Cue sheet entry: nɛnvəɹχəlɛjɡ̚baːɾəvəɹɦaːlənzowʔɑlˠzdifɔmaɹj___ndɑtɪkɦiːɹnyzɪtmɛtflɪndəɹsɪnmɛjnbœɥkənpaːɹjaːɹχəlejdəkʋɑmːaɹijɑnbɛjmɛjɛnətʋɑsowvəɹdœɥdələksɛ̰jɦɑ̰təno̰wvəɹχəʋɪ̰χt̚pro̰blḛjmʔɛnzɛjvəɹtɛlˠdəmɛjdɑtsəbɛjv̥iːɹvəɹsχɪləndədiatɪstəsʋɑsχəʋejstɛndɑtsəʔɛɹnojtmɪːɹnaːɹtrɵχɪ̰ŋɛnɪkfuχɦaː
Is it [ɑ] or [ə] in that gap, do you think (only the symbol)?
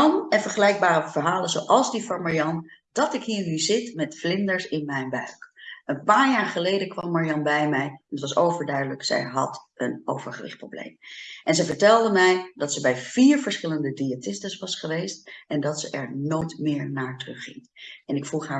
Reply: ɑ